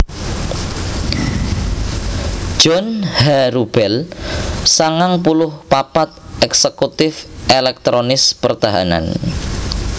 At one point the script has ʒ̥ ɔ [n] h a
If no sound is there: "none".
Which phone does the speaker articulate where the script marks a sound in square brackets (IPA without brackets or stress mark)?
n